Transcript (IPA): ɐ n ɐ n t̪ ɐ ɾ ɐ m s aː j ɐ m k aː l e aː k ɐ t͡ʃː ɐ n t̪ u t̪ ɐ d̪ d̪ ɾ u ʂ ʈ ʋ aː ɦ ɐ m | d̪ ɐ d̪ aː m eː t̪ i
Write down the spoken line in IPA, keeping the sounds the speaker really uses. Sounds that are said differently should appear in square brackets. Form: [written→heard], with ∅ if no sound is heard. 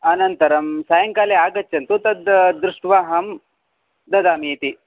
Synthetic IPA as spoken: ɐ n ɐ n t̪ ɐ ɾ ɐ m s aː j ɐ [m→ŋ] k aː l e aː [k→ɡ] ɐ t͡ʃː ɐ n t̪ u t̪ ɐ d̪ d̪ ɾ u ʂ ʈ ʋ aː ɦ ɐ m | d̪ ɐ d̪ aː m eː t̪ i